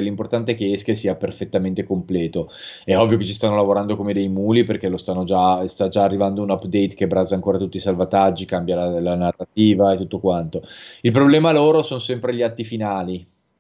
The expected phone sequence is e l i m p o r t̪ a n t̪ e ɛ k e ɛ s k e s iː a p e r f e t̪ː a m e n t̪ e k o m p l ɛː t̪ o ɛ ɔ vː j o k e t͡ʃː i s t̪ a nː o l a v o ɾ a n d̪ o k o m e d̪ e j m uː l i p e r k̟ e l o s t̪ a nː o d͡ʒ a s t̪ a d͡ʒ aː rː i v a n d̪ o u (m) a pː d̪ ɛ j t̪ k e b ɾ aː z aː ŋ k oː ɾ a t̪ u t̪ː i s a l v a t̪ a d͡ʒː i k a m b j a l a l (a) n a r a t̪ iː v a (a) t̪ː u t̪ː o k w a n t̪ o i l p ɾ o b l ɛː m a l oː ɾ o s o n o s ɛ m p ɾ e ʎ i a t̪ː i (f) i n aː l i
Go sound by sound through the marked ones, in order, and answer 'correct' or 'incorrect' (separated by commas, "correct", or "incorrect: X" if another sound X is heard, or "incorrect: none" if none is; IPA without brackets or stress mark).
incorrect: n, correct, incorrect: e, correct